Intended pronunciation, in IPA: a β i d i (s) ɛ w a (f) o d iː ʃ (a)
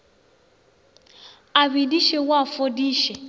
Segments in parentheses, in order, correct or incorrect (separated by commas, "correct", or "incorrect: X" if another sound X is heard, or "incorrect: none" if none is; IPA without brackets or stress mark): incorrect: ʃ, correct, incorrect: ɛ